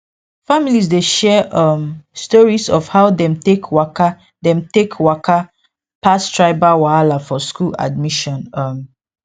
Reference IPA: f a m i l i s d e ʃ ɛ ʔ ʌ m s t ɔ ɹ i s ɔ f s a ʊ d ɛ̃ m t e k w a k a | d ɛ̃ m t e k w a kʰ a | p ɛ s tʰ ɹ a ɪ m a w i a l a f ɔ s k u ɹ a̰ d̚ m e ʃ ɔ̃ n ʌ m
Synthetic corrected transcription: f a m i l i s d e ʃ ɛ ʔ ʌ m s t ɔ ɹ i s ɔ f h a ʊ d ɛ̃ m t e k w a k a | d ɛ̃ m t e k w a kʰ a | p a s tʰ ɹ a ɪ b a w a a l a f ɔ s k u l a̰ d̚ m i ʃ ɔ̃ n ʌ m